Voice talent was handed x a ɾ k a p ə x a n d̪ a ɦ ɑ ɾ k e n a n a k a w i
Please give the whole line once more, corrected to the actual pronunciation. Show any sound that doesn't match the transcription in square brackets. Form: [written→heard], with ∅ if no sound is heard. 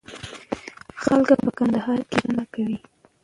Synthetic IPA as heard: x a [ɾ→l] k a p ə [x→k] a n d̪ a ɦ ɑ ɾ k e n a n a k a w i